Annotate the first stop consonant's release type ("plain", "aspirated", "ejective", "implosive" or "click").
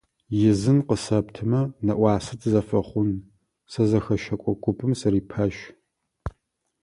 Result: plain